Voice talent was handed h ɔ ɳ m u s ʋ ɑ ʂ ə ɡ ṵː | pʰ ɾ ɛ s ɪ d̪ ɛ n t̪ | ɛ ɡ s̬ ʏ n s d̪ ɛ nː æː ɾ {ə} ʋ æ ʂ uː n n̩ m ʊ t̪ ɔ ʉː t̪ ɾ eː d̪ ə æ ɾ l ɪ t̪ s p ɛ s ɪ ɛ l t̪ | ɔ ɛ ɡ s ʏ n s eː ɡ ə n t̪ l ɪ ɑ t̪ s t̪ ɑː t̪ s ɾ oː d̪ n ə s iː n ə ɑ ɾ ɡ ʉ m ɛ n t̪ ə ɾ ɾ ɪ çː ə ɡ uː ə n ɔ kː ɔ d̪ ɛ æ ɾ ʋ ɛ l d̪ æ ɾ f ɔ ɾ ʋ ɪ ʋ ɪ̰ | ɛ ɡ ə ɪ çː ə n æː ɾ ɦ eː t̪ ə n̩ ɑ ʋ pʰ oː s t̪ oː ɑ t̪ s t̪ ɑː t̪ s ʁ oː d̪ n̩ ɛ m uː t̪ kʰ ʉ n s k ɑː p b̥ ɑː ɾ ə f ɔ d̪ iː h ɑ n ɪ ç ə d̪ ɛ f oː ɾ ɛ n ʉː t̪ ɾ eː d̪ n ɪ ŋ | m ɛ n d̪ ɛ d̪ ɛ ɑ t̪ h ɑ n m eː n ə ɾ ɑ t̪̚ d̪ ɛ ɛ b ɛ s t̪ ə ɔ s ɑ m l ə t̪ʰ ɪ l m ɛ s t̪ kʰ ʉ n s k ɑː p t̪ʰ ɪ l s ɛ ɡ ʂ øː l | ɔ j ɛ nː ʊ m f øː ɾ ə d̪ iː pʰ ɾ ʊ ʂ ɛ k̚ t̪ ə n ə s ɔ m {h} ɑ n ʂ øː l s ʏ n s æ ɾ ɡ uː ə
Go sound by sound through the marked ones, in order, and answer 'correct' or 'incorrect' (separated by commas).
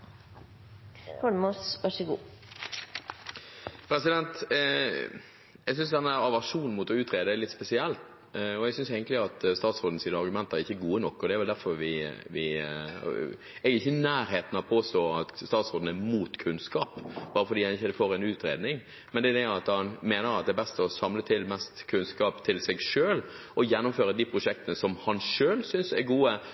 incorrect, correct